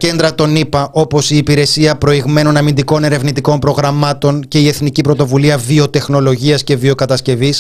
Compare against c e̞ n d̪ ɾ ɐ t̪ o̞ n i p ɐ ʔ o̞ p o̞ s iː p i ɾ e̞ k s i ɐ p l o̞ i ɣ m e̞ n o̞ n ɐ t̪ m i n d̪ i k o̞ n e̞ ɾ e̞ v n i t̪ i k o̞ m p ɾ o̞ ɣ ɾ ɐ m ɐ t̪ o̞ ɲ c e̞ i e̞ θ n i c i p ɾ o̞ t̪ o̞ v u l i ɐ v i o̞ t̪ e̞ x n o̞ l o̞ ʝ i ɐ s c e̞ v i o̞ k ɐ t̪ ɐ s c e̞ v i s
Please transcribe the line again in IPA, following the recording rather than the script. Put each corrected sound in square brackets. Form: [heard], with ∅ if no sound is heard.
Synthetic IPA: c e̞ n d̪ ɾ ɐ t̪ o̞ n i p ɐ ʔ o̞ p o̞ s iː p i ɾ e̞ [∅] s i ɐ p [ɾ] o̞ i ɣ m e̞ n o̞ n ɐ [∅] m i n d̪ i k o̞ n e̞ ɾ e̞ v n i t̪ i k o̞ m p ɾ o̞ ɣ ɾ ɐ m ɐ t̪ o̞ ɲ c e̞ i e̞ θ n i c i p ɾ o̞ t̪ o̞ v u l i ɐ v i o̞ t̪ e̞ x n o̞ l o̞ ʝ i ɐ s c e̞ v i o̞ k ɐ t̪ ɐ s c e̞ v i s